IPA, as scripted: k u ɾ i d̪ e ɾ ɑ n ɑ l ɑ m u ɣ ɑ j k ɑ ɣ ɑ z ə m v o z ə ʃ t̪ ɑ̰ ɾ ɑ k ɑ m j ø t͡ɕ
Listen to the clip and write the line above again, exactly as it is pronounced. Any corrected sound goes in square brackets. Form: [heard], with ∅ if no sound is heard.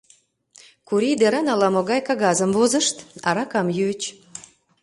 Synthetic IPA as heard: k u ɾ i d̪ e ɾ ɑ n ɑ l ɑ m [o] ɣ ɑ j k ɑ ɣ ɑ z ə m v o z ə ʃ t̪ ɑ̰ ɾ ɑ k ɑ m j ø t͡ɕ